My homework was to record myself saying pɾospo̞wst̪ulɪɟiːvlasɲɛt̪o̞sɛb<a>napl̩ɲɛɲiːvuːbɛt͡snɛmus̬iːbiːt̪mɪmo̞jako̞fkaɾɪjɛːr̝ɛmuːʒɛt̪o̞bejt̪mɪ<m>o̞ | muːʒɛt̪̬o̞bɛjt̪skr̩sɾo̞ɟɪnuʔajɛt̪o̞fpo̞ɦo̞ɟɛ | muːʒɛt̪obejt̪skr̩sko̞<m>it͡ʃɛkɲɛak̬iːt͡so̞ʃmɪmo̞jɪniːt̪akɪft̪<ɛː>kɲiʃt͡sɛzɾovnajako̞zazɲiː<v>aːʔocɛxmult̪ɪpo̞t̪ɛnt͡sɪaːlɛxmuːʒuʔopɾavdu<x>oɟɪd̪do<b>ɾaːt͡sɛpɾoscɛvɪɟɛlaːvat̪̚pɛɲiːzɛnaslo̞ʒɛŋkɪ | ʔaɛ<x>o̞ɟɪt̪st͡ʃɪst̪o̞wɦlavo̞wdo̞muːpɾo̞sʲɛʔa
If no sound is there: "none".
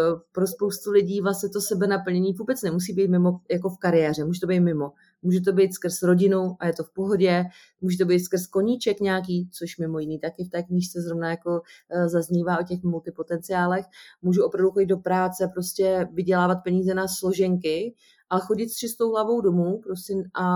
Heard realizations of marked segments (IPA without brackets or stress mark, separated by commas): ɛ, m, ɲ, ɛː, v, x, p, x